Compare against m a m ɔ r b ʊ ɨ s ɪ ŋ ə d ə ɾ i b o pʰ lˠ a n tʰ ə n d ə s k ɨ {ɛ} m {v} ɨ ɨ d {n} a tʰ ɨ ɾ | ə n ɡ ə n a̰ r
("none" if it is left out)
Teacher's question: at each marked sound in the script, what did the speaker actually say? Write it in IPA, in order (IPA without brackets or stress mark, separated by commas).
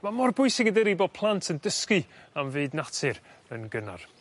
a, v, n